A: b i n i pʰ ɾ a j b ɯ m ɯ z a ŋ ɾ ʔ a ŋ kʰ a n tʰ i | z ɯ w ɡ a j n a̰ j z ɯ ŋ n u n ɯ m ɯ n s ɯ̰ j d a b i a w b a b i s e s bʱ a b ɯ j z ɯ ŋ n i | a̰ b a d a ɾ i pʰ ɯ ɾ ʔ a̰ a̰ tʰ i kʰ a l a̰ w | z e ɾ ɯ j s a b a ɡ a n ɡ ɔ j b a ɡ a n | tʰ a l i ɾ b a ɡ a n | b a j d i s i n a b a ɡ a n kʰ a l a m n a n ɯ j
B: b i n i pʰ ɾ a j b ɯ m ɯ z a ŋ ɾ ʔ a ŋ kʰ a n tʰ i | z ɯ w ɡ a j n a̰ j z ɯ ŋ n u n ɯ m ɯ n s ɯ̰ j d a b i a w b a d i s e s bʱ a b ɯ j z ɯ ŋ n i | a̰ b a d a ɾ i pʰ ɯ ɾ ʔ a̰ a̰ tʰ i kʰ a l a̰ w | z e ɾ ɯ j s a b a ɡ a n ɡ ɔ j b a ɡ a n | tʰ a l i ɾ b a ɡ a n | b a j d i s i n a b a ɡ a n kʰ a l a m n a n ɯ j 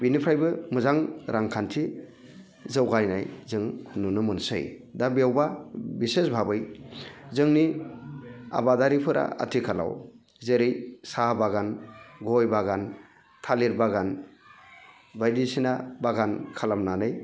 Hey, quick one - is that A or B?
A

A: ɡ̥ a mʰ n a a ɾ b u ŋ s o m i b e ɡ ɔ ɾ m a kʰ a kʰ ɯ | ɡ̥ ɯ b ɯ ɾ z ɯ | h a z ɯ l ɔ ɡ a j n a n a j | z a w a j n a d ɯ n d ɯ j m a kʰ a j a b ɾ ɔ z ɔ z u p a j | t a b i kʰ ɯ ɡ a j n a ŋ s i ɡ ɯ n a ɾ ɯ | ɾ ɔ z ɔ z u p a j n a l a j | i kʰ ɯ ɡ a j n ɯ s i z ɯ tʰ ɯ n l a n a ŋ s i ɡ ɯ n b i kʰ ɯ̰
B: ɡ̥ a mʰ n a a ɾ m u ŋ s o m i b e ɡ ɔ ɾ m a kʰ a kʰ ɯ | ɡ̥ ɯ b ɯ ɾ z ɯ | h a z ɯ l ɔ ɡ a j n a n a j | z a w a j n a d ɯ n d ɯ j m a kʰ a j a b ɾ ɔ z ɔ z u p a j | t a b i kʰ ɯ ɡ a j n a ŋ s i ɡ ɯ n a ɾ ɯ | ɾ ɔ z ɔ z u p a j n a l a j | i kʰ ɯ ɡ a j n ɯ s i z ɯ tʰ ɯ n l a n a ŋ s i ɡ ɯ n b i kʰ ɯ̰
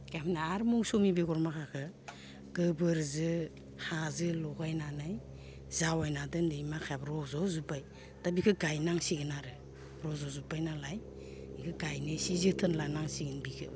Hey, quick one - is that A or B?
B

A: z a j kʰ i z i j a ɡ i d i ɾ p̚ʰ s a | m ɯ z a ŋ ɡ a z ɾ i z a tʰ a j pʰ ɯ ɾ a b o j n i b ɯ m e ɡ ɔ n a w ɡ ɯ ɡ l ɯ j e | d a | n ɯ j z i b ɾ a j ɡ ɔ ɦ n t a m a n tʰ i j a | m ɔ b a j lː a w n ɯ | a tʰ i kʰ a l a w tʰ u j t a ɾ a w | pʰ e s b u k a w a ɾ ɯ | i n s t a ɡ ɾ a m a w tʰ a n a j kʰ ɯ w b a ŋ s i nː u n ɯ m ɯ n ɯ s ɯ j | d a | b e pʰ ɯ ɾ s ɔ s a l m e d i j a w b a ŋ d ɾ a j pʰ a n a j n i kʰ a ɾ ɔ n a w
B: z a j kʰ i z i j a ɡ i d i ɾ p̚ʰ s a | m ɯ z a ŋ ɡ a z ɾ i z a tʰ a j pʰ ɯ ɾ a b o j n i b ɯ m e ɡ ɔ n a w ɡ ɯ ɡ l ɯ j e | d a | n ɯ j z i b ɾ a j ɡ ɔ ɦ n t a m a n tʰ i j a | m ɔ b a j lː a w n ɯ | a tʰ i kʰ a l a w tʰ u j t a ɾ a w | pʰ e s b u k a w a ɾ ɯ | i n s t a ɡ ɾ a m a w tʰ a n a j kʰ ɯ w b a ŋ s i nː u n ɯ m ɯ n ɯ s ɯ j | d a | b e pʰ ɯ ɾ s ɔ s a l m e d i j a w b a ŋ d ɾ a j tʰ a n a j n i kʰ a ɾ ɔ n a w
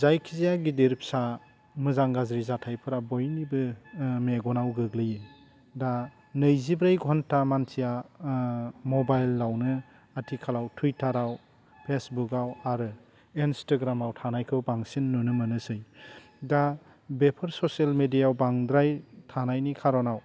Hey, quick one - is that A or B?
B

